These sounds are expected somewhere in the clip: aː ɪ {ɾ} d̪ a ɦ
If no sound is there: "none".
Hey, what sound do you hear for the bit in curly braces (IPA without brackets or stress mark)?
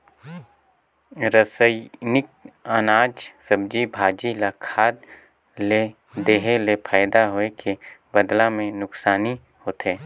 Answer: none